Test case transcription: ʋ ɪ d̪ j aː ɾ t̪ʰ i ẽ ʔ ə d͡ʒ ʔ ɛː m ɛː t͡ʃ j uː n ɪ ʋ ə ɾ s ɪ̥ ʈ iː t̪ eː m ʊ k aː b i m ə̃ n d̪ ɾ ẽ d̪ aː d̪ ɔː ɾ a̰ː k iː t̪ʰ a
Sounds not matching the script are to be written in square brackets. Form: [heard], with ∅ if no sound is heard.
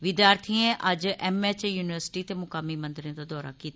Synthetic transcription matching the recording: ʋ ɪ d̪ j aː ɾ t̪ʰ i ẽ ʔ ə d͡ʒ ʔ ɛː m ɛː t͡ʃ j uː n ɪ ʋ ə ɾ s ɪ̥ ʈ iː t̪ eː m ʊ k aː [m] i m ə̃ n d̪ ɾ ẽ d̪ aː d̪ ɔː ɾ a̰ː k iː [t̪] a